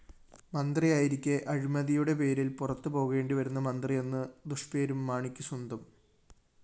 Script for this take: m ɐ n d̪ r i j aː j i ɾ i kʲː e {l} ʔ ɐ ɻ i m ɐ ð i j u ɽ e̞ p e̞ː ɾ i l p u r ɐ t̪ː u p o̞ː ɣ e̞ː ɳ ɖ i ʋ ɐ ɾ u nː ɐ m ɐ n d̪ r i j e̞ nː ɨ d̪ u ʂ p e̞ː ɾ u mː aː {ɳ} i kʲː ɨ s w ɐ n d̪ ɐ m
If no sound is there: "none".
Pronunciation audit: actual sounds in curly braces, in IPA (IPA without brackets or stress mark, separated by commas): none, ɳ